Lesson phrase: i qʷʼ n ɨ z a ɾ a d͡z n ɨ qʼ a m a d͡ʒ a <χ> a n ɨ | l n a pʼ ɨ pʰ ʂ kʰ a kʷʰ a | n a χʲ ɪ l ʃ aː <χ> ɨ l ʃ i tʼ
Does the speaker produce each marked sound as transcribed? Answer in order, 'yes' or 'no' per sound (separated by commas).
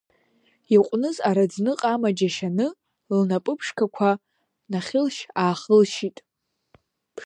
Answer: no, yes